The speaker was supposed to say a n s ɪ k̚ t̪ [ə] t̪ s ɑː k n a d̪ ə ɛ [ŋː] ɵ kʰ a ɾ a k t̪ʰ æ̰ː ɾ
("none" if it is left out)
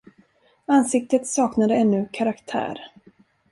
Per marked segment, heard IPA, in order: ə, nː

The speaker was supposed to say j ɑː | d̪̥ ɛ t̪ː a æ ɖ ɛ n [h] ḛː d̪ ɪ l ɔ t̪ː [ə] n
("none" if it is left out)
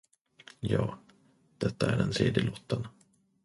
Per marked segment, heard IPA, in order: s, ə

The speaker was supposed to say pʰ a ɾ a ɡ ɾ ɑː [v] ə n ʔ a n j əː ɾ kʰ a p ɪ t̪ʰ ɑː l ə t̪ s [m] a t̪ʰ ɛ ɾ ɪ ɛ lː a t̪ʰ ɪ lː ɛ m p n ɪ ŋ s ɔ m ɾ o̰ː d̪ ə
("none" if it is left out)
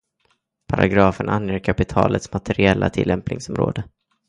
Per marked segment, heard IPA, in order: f, m

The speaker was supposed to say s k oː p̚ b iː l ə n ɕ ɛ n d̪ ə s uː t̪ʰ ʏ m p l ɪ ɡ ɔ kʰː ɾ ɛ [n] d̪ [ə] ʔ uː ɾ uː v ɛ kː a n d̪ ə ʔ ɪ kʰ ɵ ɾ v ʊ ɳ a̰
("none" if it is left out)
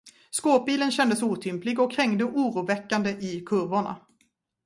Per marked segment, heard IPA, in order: ŋ, ə

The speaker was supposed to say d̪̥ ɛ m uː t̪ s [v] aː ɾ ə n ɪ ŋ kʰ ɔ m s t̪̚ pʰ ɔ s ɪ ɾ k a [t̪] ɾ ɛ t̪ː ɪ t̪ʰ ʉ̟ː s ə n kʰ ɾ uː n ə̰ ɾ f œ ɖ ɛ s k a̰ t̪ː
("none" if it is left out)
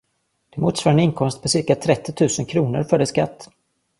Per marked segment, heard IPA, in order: v, t̪ʰ

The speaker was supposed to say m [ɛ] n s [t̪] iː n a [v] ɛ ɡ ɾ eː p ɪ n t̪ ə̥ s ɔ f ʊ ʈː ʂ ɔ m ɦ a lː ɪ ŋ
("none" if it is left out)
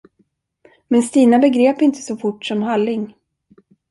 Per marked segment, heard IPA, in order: ɛ, t̪, b

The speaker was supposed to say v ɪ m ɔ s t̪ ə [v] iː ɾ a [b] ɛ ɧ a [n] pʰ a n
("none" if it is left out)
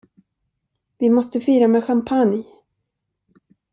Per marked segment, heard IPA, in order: f, m, m

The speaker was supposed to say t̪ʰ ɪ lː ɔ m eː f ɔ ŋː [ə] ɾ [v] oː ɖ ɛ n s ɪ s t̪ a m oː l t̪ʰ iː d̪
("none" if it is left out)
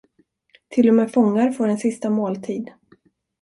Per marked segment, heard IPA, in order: a, f

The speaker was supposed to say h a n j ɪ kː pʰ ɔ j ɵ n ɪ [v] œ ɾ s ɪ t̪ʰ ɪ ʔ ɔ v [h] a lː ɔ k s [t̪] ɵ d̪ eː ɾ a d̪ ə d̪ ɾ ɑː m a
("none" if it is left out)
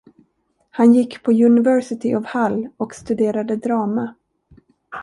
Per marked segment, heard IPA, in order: v, h, t̪

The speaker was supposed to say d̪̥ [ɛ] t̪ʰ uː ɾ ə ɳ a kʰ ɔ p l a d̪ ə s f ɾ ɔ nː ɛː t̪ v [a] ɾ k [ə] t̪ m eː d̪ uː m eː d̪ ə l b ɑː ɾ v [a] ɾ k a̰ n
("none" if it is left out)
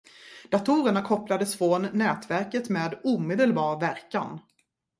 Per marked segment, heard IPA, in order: a, æ, ə, æ

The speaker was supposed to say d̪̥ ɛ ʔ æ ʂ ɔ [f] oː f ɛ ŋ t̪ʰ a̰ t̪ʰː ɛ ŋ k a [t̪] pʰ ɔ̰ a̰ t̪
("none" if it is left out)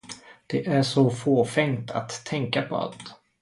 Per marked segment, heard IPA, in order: f, none

